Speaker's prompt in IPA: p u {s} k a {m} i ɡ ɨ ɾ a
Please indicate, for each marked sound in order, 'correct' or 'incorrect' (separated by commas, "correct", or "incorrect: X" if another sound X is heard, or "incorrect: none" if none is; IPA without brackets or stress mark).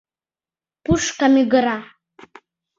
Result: incorrect: ʂ, correct